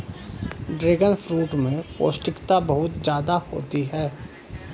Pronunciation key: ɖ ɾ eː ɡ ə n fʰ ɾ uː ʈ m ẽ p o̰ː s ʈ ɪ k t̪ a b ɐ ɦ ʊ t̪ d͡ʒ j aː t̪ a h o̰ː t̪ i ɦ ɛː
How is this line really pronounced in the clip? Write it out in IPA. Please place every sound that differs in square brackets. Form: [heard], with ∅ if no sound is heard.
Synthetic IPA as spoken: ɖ ɾ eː ɡ ə n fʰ ɾ uː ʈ m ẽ p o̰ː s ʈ ɪ k t̪ a b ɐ ɦ ʊ t̪ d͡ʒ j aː [d̪] a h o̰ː t̪ i ɦ ɛː